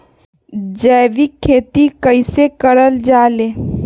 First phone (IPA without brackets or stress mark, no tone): d͡ʒ